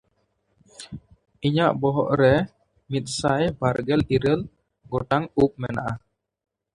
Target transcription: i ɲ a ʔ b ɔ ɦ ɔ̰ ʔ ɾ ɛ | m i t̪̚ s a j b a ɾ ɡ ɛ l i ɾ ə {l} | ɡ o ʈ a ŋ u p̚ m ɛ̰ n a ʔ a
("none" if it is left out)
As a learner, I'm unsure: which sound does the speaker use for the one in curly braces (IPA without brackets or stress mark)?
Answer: l